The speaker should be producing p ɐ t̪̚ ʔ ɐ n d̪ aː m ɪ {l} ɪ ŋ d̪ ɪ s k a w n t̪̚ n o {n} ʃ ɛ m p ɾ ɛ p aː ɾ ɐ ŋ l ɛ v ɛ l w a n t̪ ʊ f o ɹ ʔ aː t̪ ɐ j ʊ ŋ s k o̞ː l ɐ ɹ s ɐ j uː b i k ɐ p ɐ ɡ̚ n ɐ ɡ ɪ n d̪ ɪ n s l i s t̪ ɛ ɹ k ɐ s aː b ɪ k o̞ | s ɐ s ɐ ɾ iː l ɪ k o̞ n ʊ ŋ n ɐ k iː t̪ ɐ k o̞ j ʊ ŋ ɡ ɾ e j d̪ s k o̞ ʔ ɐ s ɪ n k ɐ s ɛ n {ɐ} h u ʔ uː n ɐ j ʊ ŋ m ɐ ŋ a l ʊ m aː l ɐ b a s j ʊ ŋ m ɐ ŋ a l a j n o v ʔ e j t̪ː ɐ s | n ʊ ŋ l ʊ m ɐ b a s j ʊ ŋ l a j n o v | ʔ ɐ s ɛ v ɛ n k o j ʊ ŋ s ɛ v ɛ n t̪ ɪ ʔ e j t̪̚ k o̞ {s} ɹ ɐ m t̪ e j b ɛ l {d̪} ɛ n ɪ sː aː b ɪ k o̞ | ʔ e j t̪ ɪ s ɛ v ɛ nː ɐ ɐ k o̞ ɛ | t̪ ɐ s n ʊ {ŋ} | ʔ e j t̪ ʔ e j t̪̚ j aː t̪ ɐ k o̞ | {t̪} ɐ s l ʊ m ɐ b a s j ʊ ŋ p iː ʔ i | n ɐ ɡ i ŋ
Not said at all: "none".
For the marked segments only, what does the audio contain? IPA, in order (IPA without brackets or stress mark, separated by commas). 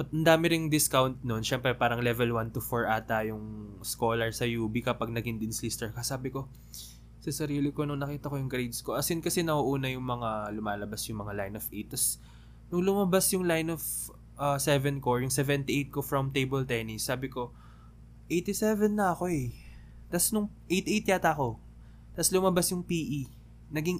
ɾ, n, ɐ, f, t̪, ŋ, t̪